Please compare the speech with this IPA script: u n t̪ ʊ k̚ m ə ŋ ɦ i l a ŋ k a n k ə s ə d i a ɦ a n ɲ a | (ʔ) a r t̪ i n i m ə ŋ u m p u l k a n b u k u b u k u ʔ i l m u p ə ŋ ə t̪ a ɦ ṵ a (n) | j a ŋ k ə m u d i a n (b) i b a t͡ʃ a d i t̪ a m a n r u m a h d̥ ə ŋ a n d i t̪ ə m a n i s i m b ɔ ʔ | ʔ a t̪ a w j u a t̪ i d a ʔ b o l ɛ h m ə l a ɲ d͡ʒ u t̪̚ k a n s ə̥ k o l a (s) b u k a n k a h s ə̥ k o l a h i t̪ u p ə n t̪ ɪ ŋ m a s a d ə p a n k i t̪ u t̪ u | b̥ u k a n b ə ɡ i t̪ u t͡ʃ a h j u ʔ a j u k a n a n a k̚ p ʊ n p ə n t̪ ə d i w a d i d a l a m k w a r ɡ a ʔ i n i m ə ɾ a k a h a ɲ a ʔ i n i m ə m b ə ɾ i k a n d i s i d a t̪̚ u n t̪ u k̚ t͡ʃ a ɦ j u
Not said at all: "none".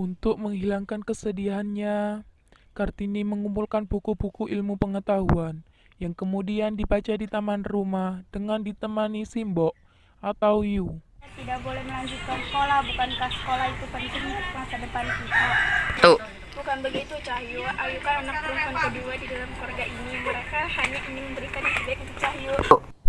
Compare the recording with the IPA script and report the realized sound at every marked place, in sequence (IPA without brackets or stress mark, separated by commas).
k, n, d, h